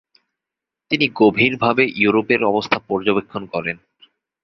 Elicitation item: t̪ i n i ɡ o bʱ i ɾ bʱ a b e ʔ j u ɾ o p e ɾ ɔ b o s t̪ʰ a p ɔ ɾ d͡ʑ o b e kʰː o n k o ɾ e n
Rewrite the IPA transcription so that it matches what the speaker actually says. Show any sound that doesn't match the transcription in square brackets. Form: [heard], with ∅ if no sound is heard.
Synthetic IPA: t̪ i n i ɡ o bʱ i ɾ bʱ a b e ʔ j u ɾ o p e ɾ ɔ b o s t̪ʰ a p ɔ ɾ d͡ʑ o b e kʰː o n k [ɔ] ɾ e n